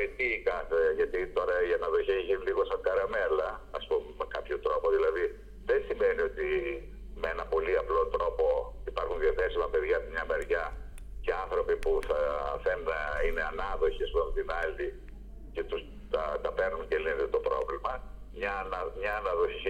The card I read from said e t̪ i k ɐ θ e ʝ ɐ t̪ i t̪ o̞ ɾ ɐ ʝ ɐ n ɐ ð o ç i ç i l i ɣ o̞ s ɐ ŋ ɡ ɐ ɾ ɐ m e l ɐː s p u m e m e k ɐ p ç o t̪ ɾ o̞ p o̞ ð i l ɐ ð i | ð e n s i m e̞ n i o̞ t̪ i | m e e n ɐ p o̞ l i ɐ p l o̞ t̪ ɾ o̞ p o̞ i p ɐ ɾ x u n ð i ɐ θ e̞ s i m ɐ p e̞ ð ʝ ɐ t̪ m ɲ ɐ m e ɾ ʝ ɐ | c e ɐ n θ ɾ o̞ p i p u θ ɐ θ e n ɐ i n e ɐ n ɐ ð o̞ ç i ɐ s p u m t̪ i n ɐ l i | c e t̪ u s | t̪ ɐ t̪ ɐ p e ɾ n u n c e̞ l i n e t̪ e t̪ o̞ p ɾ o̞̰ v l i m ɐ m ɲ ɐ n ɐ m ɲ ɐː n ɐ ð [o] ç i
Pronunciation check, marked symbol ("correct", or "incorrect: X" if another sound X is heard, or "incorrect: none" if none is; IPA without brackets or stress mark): correct